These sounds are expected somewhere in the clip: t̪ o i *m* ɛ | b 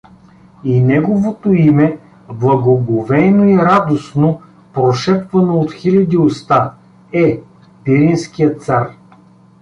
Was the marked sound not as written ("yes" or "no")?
no